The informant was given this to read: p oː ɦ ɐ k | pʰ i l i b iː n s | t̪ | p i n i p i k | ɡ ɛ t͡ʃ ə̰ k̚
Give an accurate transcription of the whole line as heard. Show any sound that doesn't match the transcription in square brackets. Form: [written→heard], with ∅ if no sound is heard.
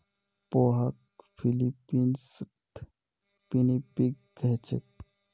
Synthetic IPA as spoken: p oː ɦ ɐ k | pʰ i l i [b→p] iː n s | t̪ | p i n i p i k | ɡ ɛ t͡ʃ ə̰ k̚